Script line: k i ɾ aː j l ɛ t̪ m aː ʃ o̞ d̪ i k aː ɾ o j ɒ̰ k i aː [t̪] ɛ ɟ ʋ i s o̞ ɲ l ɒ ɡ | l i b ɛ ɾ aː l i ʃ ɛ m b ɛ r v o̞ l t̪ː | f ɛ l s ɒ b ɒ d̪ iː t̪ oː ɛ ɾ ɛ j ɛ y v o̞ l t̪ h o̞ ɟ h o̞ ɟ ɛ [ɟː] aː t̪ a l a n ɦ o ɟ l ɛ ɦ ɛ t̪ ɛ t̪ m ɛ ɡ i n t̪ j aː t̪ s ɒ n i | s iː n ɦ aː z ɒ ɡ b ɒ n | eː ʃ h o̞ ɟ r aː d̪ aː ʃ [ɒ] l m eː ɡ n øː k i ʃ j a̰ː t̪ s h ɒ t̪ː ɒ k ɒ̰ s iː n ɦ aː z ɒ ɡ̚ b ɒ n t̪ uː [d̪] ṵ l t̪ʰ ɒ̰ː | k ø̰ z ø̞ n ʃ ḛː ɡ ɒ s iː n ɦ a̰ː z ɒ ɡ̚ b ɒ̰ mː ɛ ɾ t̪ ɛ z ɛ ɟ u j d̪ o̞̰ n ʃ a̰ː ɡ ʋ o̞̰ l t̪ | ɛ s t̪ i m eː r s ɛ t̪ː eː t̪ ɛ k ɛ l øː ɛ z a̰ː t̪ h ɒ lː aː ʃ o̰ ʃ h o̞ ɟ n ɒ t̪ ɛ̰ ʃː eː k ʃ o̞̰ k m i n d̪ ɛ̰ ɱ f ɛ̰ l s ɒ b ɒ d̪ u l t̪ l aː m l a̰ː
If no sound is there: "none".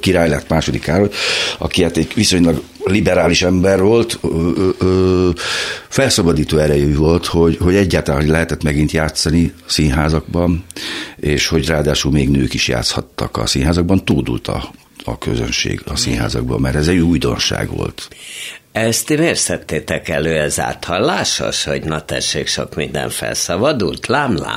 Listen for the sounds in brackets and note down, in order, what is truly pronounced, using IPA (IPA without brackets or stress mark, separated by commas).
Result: t̪, ɟː, u, d̪